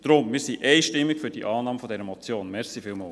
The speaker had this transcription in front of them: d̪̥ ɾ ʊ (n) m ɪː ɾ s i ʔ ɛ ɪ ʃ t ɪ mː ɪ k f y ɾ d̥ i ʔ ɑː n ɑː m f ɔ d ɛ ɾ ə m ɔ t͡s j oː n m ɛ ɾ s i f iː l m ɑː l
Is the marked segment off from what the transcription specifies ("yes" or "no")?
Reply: yes